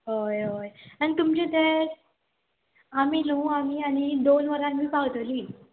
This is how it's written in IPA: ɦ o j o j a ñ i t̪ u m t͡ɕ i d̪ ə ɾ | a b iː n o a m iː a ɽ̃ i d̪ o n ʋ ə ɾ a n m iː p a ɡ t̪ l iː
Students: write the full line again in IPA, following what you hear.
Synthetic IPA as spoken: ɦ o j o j a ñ i t̪ u m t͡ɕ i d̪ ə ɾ | a m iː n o a m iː a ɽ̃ i d̪ o n ʋ ə ɾ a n m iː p a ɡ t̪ l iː